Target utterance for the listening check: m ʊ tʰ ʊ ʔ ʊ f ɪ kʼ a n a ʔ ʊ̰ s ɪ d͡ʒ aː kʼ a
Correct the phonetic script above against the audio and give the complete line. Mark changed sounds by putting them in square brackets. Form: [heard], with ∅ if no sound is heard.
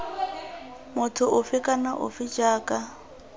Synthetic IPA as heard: m ʊ tʰ ʊ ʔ ʊ f ɪ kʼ a n a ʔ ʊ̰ [f] ɪ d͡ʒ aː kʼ a